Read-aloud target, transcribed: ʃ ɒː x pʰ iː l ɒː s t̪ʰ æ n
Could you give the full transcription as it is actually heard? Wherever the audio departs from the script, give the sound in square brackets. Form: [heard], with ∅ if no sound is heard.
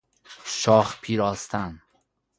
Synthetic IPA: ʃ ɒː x pʰ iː [ɾ] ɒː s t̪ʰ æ n